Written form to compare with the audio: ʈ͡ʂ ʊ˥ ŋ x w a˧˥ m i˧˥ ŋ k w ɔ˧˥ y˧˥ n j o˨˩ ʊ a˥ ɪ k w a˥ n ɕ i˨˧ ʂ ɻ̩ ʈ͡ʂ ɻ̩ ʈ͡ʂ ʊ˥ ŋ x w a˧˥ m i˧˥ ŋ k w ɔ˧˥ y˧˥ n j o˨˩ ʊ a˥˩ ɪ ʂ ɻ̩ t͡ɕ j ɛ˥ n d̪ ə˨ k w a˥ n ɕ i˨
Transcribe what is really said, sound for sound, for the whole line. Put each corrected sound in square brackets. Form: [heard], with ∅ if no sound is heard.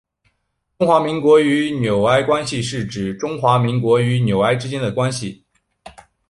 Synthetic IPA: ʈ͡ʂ ʊ˥ ŋ x w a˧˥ m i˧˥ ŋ k w ɔ˧˥ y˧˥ n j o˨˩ ʊ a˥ ɪ k w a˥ n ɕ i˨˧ ʂ ɻ̩ ʈ͡ʂ ɻ̩ ʈ͡ʂ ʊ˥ ŋ x w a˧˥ m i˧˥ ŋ k w ɔ˧˥ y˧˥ n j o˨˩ ʊ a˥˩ ɪ [ʈ͡ʂ] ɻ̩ t͡ɕ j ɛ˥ n d̪ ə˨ k w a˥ n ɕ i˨

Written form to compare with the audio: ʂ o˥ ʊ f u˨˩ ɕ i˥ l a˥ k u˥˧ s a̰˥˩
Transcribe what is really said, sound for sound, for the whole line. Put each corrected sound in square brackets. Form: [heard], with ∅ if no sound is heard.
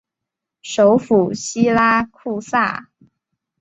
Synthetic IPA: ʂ [o˧˥] ʊ f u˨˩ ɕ i˥ l a˥ [kʰ] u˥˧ s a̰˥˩

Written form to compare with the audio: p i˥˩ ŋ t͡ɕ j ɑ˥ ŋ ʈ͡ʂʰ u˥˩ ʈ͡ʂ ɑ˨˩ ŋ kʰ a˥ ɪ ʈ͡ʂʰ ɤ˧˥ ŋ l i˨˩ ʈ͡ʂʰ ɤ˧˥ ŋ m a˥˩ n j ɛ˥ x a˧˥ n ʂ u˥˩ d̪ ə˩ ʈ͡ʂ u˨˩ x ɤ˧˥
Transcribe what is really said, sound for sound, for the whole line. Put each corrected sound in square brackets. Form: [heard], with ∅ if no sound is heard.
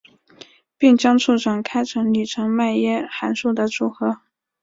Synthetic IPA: p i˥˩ ŋ t͡ɕ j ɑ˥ ŋ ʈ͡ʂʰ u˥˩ ʈ͡ʂ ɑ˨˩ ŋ kʰ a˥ ɪ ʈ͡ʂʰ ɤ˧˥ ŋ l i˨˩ ʈ͡ʂʰ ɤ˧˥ ŋ m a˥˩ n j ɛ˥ x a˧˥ n ʂ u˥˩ d̪ ə˩ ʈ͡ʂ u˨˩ x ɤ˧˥

